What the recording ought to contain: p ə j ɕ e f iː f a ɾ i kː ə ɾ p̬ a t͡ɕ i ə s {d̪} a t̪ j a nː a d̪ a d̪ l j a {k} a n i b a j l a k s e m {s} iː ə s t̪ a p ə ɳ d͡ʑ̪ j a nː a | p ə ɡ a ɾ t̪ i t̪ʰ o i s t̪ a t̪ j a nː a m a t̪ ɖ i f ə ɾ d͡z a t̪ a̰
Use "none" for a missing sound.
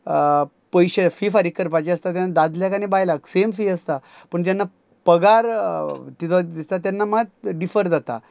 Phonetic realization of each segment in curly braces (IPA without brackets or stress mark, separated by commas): t̪, k, f